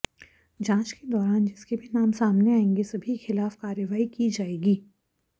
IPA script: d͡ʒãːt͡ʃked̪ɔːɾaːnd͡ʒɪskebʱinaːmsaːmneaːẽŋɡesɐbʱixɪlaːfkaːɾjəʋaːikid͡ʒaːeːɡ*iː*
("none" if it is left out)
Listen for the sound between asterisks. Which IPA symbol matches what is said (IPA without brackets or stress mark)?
iː